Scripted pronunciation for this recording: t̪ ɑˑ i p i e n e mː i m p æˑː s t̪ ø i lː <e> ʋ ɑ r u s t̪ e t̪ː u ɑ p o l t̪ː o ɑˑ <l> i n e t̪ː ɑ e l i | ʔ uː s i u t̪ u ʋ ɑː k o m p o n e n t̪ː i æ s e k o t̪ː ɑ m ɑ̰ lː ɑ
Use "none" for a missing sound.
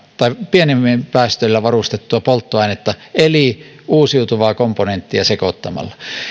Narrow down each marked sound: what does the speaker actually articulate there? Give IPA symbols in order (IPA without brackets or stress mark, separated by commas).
æ, none